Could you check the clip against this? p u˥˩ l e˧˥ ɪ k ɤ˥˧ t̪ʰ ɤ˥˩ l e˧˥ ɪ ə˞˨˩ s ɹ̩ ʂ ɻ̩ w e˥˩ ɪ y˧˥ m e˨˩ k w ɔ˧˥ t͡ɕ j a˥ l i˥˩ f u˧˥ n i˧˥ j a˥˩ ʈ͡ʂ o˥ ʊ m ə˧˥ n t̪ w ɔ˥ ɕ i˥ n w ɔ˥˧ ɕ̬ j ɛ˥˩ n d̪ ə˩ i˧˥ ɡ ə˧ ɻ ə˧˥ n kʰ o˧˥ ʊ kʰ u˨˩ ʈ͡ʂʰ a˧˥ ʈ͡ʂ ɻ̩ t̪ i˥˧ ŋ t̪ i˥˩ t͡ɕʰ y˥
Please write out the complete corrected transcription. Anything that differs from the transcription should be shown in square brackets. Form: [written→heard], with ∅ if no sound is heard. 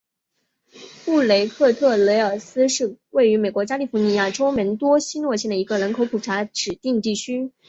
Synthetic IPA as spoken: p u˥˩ l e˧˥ ɪ [k→kʰ] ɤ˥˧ t̪ʰ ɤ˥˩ l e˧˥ ɪ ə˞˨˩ s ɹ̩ ʂ ɻ̩ w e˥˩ ɪ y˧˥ m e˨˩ k w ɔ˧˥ t͡ɕ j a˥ l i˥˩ f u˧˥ n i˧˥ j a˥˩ ʈ͡ʂ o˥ ʊ m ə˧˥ n t̪ w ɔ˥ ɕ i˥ n w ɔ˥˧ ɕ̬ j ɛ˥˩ n d̪ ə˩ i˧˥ ɡ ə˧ ɻ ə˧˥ n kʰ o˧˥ ʊ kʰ u˨˩ ʈ͡ʂʰ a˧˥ ʈ͡ʂ ɻ̩ t̪ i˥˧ ŋ t̪ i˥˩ t͡ɕʰ y˥